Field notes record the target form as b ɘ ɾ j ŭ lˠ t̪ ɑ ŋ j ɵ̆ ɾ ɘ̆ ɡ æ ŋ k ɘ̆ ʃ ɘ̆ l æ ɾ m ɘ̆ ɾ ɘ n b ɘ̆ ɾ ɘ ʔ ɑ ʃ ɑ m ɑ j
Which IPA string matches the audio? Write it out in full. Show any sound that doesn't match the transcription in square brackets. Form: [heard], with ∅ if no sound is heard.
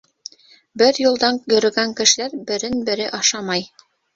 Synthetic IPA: b ɘ ɾ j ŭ lˠ [d̪] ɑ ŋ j ɵ̆ ɾ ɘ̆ ɡ æ ŋ k ɘ̆ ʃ ɘ̆ l æ ɾ [b] ɘ̆ ɾ ɘ n b ɘ̆ ɾ ɘ ʔ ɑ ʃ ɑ m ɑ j

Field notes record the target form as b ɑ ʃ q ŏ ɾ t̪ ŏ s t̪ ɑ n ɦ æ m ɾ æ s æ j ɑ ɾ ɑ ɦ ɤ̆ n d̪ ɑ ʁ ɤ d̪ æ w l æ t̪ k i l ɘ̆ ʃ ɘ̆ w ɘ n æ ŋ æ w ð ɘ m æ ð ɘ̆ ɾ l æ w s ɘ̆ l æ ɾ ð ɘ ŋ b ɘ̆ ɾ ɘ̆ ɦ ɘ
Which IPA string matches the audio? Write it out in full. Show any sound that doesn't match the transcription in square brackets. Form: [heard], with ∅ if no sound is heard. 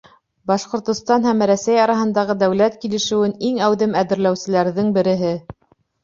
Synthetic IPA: b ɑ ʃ q ŏ ɾ t̪ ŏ s t̪ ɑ n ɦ æ m ɾ æ s æ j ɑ ɾ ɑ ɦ ɤ̆ n d̪ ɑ ʁ ɤ d̪ æ w l æ t̪ k i l ɘ̆ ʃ ɘ̆ w ɘ n [i] ŋ æ w ð ɘ m æ ð ɘ̆ ɾ l æ w s ɘ̆ l æ ɾ ð ɘ ŋ b ɘ̆ ɾ ɘ̆ ɦ ɘ

